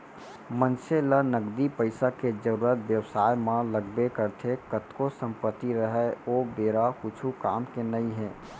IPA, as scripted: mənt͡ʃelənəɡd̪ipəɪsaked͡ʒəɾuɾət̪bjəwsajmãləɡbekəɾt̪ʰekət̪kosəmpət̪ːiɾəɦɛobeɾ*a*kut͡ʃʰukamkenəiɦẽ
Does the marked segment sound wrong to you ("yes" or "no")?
no